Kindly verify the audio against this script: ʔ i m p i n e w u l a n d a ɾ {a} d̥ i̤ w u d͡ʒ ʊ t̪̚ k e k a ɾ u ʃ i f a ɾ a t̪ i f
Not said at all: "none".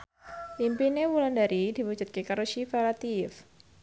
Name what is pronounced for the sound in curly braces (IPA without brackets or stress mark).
i